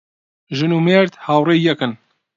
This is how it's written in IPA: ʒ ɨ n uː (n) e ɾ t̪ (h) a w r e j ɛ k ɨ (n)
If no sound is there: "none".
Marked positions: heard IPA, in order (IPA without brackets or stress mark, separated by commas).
m, h, n